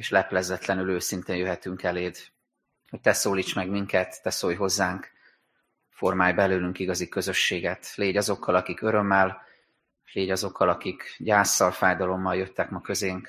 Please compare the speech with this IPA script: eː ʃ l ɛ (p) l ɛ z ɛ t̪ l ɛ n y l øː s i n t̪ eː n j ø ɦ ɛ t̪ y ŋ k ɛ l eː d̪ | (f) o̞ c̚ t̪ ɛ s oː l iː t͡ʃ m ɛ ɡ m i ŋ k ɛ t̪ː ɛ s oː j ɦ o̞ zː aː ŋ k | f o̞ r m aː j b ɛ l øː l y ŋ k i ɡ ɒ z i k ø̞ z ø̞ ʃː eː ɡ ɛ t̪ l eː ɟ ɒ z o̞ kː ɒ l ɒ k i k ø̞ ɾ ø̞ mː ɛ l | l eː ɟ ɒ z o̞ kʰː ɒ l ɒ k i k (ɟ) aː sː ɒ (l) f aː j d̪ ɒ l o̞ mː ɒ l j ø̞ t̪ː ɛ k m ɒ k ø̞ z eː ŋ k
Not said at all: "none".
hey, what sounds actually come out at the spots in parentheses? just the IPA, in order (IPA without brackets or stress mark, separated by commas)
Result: p, h, ɟ, l